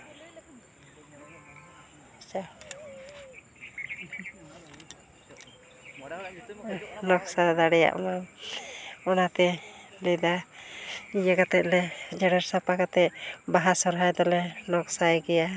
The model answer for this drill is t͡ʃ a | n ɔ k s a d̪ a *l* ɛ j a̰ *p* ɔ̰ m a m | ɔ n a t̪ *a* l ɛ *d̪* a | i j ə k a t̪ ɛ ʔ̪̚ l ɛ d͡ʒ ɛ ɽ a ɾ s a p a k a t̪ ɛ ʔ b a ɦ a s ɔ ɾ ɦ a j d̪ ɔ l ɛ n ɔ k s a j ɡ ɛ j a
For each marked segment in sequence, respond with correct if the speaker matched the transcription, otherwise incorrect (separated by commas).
incorrect, incorrect, incorrect, correct